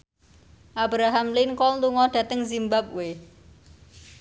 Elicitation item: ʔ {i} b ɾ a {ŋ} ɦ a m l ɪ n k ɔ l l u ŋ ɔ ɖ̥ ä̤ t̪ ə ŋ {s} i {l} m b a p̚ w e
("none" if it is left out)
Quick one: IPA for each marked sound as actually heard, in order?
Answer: a, none, z, none

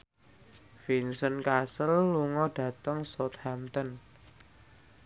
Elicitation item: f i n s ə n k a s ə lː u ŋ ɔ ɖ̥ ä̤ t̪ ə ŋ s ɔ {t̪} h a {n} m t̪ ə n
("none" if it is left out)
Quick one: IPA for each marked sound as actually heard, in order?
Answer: t̪, none

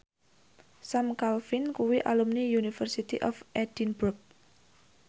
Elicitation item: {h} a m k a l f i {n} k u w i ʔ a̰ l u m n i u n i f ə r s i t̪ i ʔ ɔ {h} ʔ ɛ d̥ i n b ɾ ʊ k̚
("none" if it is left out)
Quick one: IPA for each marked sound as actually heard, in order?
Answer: s, n, f

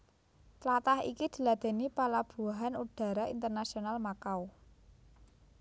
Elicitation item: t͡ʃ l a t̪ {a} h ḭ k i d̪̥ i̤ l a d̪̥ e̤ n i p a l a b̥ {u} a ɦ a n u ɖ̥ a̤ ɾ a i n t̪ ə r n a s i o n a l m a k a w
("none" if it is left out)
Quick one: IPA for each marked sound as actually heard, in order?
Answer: a, u

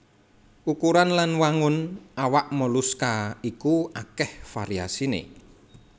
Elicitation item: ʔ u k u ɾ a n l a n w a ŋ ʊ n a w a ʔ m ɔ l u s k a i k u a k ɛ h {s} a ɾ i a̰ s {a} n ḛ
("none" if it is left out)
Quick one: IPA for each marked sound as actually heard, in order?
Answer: f, i

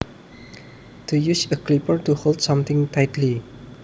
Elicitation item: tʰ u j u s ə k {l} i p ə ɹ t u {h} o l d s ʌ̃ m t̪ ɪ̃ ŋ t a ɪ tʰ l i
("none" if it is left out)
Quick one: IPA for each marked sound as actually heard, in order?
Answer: l, h

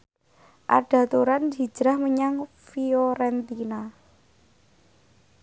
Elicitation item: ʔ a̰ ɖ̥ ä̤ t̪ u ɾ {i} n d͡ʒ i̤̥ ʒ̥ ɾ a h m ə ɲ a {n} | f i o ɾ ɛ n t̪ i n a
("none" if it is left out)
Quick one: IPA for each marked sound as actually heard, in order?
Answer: a, ŋ

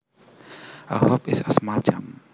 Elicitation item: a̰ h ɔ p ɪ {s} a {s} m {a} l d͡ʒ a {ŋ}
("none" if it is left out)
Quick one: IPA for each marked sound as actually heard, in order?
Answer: s, s, a, m

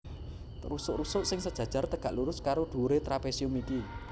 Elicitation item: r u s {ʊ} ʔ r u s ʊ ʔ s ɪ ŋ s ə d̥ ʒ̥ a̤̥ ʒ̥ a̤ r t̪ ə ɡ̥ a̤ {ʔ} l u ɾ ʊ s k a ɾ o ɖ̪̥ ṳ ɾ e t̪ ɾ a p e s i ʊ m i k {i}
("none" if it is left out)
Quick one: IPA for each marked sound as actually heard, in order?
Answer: ʊ, ʔ, i

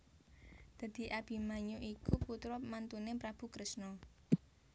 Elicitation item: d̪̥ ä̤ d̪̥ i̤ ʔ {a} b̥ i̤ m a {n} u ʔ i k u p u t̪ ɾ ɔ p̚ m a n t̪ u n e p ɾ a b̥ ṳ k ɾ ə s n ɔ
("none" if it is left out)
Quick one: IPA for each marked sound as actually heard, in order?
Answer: a, ɲ

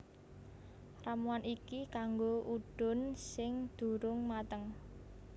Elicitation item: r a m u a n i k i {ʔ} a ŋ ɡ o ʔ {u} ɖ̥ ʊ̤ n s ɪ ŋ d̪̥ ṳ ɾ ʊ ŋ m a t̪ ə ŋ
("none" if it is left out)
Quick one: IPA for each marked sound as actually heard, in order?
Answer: k, u

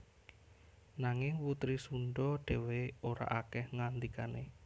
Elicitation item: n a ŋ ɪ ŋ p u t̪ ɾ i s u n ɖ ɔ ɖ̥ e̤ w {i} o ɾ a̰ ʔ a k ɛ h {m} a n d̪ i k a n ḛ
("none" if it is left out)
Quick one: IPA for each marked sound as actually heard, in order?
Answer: e, ŋ

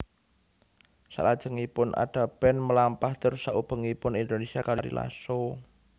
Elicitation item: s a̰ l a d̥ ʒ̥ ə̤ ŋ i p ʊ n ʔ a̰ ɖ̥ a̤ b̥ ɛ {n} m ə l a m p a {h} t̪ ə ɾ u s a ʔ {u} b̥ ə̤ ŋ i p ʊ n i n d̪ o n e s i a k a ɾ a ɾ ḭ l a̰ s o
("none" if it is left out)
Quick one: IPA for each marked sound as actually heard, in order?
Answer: n, h, u

